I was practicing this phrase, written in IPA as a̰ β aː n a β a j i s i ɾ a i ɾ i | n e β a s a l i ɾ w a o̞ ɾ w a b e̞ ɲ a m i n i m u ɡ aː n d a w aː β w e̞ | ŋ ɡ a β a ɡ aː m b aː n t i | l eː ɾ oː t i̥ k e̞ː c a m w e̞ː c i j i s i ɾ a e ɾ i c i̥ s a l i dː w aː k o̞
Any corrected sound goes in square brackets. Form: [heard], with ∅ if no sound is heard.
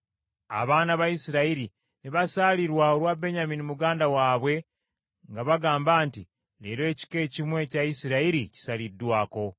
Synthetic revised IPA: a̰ β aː n a β a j i s i ɾ a i ɾ i | n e β a s a l i ɾ w a o̞ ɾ w a b e̞ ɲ a m i n i m u ɡ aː n d a w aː β w e̞ | ŋ ɡ a β a ɡ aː m b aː n t i | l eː ɾ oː [c] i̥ k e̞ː c [i] m w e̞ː c [a] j i s i ɾ a [i] ɾ i c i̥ s a l i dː w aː k o̞